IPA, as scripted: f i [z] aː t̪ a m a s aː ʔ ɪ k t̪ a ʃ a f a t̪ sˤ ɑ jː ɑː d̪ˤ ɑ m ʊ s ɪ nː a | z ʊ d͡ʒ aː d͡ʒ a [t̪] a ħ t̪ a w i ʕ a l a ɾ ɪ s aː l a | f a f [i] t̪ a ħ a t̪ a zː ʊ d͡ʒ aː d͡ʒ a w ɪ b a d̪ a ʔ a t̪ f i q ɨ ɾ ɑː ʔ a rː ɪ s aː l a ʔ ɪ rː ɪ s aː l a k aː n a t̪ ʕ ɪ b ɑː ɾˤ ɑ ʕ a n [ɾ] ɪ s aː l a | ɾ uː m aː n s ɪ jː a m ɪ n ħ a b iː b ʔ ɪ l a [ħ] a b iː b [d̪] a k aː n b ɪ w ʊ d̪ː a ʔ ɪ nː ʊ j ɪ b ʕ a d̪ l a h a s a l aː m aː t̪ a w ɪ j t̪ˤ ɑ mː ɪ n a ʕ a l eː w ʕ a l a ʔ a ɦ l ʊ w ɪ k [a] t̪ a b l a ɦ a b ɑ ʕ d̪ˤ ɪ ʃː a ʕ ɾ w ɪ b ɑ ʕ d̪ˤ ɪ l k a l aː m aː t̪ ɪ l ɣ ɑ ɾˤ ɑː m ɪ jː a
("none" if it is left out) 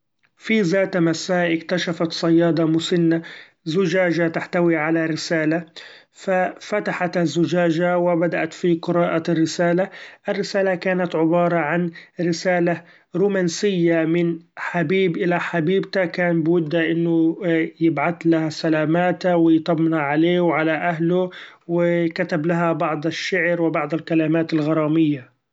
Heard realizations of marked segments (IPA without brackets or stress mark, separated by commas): z, t̪, a, ɾ, ħ, t̪, a